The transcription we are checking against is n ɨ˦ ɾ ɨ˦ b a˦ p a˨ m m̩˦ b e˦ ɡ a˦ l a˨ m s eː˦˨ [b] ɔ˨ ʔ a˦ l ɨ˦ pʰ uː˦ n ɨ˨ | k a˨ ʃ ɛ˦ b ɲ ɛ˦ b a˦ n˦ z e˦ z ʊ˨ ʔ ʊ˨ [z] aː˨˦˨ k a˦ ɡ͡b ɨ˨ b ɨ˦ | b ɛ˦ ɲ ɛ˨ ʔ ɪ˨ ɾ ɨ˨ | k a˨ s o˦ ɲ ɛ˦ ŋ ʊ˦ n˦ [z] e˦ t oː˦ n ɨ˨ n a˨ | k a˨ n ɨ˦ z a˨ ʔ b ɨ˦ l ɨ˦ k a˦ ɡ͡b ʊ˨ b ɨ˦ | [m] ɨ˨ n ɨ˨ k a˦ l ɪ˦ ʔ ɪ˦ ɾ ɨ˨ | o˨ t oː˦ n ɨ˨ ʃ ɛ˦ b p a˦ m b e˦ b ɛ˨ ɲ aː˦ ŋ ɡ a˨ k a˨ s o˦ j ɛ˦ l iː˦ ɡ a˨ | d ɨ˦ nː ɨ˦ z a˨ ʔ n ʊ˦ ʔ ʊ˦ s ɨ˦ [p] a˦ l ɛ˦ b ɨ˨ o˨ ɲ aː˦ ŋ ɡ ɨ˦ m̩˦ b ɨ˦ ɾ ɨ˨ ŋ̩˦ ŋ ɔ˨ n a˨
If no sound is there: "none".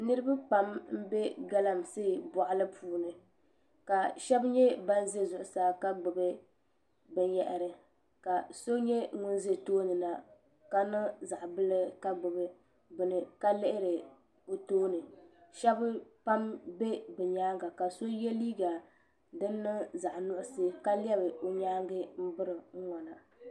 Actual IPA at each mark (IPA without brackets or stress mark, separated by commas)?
b, s, z, b, k